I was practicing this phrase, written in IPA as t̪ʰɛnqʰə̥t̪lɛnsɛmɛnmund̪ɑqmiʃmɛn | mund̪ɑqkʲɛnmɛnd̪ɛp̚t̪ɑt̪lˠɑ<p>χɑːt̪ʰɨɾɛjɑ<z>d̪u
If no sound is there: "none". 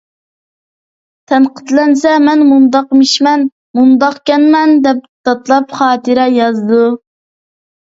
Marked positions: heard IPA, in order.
p, z

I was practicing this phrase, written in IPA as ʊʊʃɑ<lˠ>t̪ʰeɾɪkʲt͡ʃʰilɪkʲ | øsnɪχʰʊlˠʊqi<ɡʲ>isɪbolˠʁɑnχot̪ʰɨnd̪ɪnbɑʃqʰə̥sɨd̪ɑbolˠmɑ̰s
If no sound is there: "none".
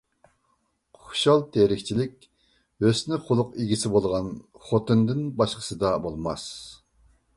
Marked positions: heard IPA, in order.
lˠ, ɡʲ

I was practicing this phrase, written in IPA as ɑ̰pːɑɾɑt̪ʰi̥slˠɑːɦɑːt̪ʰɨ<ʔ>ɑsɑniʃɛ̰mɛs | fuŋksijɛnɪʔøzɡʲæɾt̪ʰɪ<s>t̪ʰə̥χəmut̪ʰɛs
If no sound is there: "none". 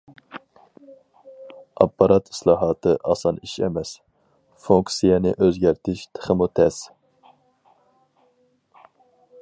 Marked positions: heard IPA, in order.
ʔ, ʃ

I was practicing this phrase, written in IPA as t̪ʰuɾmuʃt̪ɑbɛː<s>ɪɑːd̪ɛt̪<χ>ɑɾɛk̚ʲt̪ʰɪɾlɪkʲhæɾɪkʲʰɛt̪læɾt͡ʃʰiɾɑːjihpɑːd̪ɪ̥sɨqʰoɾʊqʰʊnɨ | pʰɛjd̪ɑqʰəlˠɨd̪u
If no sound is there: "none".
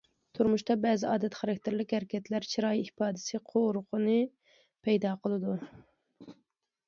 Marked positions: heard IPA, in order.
z, χ

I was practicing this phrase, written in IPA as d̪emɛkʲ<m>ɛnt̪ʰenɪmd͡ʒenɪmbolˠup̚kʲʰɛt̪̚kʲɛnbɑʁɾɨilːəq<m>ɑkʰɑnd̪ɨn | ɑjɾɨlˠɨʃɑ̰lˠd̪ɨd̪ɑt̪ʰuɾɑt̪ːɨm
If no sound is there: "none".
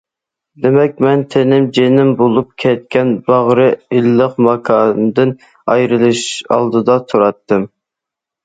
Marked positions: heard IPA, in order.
m, m

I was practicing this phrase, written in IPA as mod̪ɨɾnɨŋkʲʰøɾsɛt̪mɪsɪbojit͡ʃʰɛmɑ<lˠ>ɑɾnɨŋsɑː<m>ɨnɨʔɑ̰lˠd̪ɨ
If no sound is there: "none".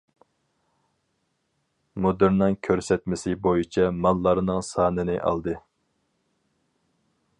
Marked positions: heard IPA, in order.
lˠː, n

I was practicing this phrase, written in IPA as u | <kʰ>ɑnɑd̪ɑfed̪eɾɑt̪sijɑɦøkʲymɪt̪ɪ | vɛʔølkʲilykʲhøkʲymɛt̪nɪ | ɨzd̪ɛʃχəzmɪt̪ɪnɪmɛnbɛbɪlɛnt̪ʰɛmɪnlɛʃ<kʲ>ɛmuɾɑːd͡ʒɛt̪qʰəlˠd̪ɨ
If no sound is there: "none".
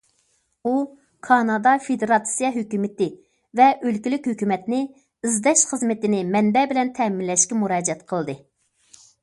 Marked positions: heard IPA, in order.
kʰ, kʲ

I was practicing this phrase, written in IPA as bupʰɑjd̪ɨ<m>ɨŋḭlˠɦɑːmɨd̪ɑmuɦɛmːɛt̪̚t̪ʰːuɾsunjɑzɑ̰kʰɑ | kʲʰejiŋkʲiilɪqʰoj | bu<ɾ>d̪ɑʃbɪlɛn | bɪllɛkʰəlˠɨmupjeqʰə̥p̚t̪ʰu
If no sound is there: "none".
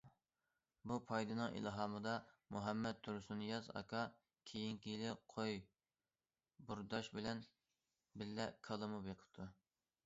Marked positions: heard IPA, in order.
n, ɾ

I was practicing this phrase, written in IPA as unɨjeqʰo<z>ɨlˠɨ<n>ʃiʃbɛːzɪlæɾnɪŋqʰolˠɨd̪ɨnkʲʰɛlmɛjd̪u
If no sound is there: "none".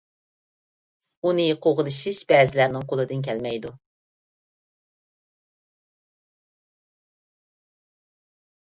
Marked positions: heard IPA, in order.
ʁ, none

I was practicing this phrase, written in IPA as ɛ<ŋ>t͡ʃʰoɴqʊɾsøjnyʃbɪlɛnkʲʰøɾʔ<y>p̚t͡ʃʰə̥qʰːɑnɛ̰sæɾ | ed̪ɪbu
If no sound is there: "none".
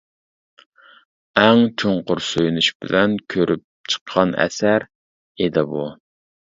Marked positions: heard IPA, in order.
ŋ, y

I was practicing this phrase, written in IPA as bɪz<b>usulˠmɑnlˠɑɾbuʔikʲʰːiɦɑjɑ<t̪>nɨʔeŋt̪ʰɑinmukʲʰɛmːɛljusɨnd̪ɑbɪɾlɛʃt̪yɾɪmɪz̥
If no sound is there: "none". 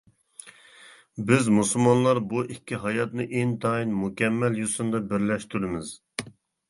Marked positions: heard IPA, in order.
m, t̪

